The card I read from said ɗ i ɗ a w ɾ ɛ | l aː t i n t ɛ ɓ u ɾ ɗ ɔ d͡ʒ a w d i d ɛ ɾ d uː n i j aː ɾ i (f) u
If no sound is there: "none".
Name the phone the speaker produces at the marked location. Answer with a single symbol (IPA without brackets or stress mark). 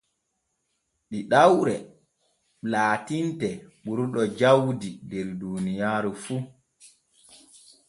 f